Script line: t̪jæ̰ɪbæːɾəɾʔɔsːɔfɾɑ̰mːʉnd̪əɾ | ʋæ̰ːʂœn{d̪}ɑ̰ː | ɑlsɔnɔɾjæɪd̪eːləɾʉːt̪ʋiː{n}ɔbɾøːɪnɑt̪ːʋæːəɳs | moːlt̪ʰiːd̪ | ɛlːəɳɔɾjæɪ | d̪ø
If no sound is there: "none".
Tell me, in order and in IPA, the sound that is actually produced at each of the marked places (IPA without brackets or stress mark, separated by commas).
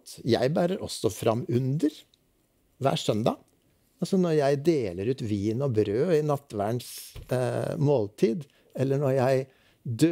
d̪, n